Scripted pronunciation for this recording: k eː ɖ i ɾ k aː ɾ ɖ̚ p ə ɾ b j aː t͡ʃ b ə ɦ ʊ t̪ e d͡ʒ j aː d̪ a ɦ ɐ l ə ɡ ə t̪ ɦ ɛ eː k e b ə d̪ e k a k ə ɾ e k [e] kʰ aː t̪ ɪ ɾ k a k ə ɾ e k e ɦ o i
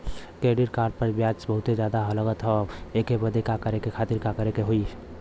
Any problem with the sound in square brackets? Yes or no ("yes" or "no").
no